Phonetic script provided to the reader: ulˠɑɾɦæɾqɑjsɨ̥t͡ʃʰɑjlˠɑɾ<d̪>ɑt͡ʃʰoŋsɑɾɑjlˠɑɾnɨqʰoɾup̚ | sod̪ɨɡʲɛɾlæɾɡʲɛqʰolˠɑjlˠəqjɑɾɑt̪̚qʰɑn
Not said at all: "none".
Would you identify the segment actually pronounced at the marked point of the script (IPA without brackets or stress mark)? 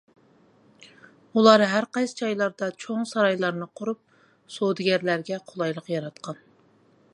d̪